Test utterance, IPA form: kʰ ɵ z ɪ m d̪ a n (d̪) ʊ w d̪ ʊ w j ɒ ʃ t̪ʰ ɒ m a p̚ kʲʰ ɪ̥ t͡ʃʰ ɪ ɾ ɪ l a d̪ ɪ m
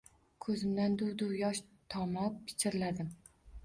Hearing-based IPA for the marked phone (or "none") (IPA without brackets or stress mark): d̪